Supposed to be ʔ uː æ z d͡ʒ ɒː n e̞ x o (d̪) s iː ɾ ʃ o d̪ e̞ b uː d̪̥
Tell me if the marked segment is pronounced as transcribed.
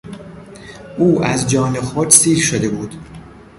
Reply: yes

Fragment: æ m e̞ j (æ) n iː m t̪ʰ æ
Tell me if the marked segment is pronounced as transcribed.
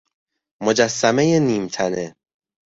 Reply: no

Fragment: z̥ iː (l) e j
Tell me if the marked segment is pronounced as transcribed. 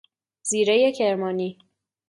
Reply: no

